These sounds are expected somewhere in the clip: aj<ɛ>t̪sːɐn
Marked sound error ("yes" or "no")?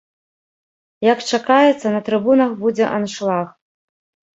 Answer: no